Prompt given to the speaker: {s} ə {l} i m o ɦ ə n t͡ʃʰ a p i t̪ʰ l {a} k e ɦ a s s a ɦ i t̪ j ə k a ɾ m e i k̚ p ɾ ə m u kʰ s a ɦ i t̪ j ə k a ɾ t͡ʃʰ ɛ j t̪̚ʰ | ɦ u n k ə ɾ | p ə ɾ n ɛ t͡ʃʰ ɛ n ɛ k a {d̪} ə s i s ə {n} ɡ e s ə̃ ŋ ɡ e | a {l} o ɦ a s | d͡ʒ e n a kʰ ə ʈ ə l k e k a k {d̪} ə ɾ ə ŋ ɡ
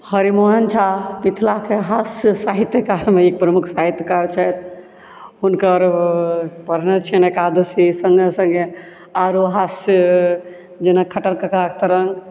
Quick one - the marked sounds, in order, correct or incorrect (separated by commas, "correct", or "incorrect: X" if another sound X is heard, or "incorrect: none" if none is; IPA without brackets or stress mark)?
incorrect: h, incorrect: ɾ, correct, correct, incorrect: ŋ, incorrect: ɾ, incorrect: t̪